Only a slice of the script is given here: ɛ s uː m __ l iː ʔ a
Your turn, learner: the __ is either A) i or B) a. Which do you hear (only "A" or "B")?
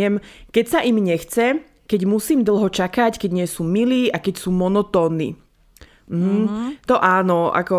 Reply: A